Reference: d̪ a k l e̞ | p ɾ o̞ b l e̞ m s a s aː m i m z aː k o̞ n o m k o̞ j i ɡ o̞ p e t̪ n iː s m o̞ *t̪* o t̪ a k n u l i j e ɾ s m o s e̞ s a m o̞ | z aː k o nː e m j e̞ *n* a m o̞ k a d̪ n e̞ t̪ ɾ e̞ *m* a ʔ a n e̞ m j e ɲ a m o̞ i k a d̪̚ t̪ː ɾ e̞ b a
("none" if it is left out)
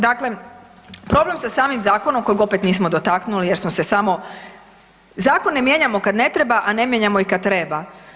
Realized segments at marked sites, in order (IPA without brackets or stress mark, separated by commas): d̪, ɲ, b